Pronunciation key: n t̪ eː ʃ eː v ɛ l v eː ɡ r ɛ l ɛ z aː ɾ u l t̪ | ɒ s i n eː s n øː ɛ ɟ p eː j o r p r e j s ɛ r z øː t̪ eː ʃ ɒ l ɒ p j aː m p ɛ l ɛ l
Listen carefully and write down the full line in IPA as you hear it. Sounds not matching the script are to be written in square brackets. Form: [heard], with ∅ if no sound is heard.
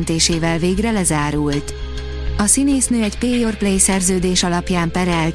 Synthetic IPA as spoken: n t̪ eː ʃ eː v ɛ l v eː ɡ r ɛ l ɛ z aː ɾ u l t̪ | ɒ s i n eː s n øː ɛ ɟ p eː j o r p [l] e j s ɛ r z øː [d̪] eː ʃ ɒ l ɒ p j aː m p ɛ [ɾ] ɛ l